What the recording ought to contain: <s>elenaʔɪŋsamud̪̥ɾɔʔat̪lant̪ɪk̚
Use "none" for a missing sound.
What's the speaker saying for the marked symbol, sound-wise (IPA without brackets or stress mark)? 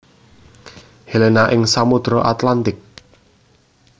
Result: h